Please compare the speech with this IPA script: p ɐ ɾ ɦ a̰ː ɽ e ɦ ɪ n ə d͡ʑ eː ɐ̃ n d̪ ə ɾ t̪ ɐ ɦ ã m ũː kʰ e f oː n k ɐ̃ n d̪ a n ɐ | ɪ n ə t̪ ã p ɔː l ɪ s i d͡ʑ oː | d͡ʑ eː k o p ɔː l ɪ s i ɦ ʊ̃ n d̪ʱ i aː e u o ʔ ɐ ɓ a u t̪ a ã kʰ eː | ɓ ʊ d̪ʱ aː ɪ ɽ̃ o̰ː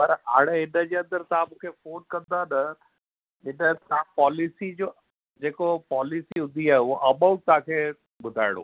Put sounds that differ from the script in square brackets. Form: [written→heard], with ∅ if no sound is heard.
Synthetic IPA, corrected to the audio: p ɐ ɾ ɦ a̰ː ɽ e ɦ ɪ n ə d͡ʑ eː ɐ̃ n d̪ ə ɾ t̪ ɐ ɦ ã m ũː kʰ e f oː n k ɐ̃ n d̪ a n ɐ | ɪ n ə t̪ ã p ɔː l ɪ s i d͡ʑ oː | d͡ʑ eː k o p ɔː l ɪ s i ɦ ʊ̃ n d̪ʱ i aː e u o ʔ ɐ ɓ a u t̪ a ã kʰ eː | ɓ ʊ d̪ʱ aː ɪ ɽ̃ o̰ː